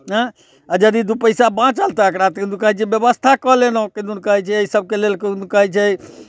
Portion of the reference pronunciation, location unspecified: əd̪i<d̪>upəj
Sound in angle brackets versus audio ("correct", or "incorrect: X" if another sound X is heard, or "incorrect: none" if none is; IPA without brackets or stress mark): correct